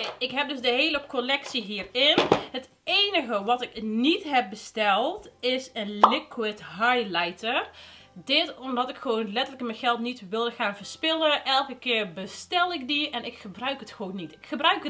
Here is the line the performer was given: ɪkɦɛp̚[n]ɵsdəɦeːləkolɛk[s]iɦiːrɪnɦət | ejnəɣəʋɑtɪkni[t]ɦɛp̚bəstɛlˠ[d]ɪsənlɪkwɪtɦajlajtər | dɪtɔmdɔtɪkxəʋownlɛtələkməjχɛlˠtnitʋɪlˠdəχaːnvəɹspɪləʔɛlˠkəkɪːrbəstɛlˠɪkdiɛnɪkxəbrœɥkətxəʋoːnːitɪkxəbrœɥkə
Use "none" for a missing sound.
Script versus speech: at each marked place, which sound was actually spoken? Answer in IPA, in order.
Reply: d, s, t, t

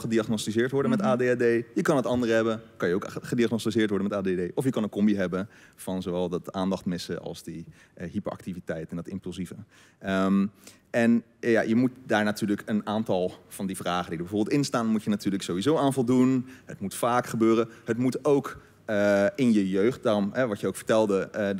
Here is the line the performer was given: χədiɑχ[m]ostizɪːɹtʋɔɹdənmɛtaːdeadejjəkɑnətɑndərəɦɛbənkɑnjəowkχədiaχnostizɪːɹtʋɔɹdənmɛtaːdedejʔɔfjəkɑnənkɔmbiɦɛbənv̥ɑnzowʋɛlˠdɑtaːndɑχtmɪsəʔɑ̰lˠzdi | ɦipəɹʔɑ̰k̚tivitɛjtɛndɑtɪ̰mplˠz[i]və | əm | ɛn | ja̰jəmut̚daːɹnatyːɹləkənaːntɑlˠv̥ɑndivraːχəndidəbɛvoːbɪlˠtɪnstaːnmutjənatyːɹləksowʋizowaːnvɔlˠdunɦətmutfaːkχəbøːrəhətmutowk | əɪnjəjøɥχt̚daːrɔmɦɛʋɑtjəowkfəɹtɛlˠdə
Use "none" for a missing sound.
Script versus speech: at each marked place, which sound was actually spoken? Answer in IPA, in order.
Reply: n, i

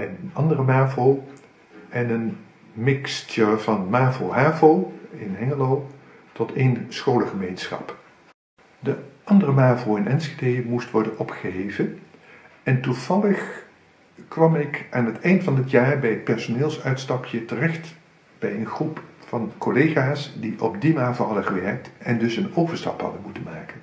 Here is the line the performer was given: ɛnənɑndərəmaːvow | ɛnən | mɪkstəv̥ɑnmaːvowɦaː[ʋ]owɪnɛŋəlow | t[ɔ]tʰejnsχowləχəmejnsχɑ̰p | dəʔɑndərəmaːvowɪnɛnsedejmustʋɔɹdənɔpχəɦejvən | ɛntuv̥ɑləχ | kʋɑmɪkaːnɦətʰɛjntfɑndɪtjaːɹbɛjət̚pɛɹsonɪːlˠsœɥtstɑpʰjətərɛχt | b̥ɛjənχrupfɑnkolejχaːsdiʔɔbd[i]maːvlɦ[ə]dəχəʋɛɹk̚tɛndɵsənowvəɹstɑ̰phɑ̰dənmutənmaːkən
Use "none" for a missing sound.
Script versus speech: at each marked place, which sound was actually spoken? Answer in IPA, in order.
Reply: v, ɔ, i, ɑ

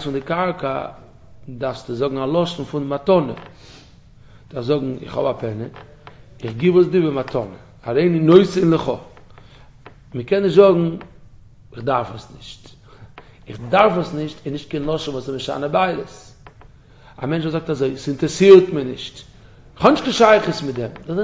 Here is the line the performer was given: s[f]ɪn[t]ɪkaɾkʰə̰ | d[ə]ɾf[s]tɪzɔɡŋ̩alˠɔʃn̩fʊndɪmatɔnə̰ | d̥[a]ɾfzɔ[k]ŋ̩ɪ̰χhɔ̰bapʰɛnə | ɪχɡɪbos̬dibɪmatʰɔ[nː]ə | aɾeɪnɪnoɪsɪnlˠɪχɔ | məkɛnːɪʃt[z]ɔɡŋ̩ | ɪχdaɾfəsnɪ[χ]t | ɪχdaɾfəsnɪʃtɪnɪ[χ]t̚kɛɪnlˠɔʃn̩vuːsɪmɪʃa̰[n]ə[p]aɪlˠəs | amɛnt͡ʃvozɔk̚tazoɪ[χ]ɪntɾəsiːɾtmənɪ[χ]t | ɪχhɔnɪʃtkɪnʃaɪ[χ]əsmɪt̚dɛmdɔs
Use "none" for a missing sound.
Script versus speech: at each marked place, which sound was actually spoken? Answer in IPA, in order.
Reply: f, d, a, s, a, ɡ, n, z, ʃ, ʃ, n, b, s, ʃ, χ

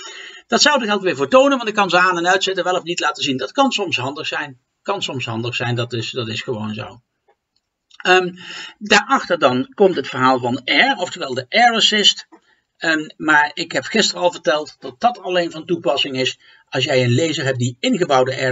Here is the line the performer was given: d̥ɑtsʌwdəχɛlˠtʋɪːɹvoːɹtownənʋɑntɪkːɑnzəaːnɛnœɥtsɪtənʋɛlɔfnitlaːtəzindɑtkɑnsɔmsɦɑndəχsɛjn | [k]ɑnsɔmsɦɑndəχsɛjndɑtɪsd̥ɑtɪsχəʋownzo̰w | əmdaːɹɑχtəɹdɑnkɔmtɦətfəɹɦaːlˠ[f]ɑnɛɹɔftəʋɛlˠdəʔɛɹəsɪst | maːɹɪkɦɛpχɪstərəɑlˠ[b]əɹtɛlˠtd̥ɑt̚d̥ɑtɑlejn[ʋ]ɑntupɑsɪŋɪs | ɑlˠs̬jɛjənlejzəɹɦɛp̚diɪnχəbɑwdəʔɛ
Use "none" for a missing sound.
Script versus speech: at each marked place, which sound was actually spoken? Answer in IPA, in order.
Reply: k, v, v, v

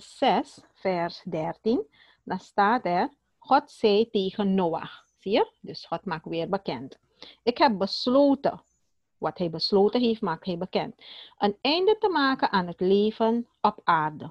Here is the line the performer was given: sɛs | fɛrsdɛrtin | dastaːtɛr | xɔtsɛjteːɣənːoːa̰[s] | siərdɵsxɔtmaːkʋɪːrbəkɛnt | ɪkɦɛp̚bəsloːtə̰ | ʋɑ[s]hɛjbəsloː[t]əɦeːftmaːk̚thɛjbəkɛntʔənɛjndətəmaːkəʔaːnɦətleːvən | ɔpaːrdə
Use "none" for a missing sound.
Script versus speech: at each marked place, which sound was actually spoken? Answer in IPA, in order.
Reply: x, t, t

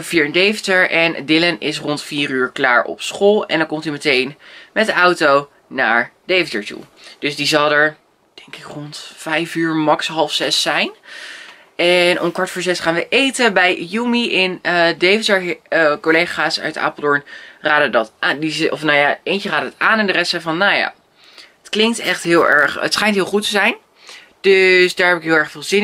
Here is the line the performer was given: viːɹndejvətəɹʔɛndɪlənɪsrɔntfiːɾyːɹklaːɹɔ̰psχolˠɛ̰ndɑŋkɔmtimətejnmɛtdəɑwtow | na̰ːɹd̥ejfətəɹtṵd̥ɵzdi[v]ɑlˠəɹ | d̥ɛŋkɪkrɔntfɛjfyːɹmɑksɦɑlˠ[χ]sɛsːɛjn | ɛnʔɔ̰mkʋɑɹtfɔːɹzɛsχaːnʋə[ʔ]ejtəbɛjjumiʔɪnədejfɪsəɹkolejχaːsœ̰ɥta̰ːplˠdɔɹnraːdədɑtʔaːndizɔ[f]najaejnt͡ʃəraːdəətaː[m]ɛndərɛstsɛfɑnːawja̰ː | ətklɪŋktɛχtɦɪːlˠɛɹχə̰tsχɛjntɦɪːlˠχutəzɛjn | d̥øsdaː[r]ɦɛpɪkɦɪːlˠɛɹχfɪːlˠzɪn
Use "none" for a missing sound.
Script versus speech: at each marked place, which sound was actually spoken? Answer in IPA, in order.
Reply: z, f, ʔ, f, n, ɹ

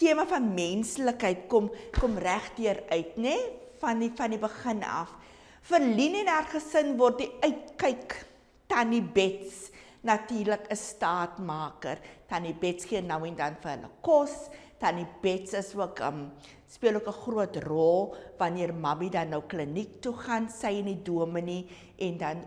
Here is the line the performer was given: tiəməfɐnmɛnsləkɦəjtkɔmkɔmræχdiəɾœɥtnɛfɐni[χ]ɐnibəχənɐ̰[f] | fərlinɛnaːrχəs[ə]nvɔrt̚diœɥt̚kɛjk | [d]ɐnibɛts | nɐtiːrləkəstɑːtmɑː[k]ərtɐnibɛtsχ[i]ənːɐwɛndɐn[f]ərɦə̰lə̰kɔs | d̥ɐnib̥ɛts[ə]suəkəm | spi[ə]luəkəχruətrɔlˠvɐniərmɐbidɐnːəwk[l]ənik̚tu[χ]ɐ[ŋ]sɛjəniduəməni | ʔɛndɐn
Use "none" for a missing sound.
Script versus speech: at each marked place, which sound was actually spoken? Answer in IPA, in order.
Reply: f, f, ə, t, k, i, f, ə, ə, l, χ, n

